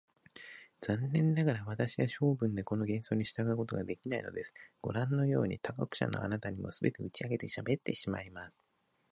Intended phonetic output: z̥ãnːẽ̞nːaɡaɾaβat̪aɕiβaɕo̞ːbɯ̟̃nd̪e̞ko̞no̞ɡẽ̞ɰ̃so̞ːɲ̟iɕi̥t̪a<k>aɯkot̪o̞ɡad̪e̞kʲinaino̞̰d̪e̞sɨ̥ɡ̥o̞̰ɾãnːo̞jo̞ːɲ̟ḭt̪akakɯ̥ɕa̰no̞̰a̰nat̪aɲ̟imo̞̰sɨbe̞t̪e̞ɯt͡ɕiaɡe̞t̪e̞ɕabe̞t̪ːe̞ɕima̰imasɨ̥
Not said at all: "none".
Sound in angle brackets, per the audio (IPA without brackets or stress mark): ɡ